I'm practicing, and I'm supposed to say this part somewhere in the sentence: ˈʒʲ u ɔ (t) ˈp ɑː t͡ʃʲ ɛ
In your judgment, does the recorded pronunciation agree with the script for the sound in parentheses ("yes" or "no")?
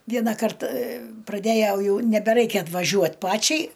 yes